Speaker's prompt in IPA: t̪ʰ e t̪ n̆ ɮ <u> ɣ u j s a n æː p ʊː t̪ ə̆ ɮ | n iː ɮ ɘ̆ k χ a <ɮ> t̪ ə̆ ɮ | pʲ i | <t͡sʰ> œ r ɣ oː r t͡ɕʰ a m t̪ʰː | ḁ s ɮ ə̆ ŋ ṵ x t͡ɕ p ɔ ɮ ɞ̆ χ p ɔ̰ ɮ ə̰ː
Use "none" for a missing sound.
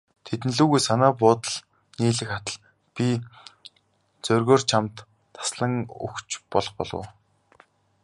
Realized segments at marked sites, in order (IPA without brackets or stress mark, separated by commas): uː, none, t͡s